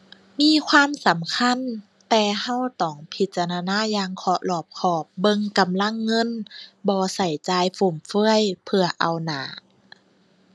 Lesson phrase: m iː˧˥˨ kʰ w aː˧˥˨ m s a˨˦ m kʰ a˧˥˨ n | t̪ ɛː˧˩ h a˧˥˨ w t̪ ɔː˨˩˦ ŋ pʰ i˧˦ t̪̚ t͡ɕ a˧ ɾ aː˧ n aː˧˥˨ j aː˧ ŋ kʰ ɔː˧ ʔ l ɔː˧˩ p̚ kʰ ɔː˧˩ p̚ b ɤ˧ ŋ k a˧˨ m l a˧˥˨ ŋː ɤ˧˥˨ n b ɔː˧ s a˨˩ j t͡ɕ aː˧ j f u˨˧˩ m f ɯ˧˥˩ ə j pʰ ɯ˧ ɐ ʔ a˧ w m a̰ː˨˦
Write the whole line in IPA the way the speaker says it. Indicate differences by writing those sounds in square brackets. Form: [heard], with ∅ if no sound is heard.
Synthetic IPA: m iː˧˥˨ kʰ w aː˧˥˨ m s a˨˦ m kʰ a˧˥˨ n | t̪ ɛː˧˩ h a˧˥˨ w t̪ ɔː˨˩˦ ŋ pʰ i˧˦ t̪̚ t͡ɕ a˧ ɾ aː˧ n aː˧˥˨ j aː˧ ŋ kʰ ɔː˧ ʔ l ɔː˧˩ p̚ kʰ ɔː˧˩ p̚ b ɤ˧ ŋ k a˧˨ m l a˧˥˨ ŋː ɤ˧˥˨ n b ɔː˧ s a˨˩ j t͡ɕ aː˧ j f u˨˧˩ m f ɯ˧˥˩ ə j pʰ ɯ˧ ɐ ʔ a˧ w [n] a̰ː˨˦